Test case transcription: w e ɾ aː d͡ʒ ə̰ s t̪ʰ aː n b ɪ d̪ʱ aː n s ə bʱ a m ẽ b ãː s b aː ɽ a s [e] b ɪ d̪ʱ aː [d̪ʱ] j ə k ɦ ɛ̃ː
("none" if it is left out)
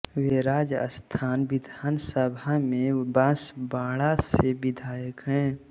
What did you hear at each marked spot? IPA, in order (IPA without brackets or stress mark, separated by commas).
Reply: e, none